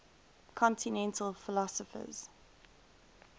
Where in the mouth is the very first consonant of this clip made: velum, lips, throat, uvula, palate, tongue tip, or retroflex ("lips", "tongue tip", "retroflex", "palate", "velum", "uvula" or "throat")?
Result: velum